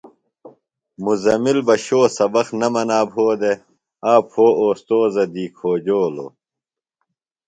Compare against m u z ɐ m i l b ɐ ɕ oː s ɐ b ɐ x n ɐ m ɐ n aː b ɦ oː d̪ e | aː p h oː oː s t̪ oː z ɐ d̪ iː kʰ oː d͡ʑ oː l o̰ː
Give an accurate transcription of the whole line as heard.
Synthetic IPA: m u z ɐ m i l b ɐ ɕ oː s ɐ b ɐ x n ɐ m ɐ n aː b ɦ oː d̪ e | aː p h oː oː s t̪ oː z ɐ d̪ iː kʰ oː d͡ʑ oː l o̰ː